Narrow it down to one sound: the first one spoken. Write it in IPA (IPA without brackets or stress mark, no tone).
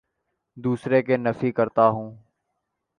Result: d̪